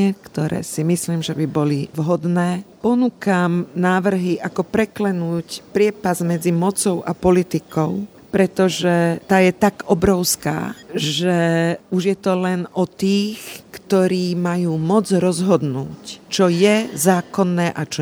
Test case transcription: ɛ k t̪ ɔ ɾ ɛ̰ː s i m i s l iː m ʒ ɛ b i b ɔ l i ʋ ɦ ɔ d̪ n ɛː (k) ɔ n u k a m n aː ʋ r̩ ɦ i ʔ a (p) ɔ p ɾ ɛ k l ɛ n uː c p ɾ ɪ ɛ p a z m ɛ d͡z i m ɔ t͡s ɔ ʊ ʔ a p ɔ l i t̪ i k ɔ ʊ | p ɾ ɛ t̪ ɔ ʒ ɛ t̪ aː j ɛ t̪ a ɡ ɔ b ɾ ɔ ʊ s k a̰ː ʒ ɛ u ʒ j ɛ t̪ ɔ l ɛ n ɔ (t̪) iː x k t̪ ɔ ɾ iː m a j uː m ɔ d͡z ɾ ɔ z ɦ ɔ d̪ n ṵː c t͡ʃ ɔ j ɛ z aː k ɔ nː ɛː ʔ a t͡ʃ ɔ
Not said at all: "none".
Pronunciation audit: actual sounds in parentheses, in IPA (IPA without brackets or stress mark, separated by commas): p, k, t̪